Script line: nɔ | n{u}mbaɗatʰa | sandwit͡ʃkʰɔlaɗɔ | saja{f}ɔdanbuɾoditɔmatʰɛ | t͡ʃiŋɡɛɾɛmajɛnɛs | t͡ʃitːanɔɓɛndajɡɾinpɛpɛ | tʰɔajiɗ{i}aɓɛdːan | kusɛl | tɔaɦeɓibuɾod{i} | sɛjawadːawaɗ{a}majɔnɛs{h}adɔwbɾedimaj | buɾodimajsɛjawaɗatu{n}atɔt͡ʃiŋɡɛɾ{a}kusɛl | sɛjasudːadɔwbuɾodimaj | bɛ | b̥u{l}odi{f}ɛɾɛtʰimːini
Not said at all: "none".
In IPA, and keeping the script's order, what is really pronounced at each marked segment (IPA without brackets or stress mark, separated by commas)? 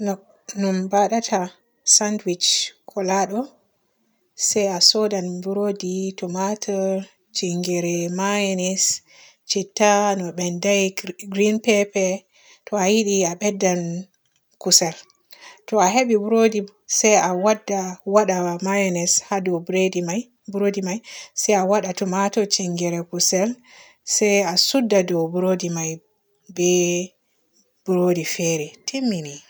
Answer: u, s, i, i, a, h, m, ɛ, ɾ, f